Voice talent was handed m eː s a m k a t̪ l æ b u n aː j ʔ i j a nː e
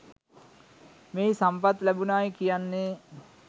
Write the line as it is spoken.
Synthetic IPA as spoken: m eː s a m p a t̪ l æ b u n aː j k i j a nː e